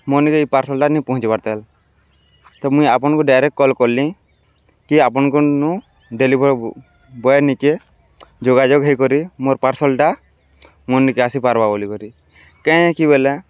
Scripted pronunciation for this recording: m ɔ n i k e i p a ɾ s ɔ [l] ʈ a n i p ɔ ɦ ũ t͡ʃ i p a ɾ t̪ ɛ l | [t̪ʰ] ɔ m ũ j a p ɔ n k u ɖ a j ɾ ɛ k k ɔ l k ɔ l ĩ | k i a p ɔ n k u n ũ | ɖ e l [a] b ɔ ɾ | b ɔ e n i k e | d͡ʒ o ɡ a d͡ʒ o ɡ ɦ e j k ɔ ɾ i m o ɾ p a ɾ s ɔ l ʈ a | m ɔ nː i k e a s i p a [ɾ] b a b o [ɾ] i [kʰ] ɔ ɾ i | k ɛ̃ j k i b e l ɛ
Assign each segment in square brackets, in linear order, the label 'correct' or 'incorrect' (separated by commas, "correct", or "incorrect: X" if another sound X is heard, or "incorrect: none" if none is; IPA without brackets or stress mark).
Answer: correct, incorrect: t̪, incorrect: i, correct, incorrect: l, incorrect: k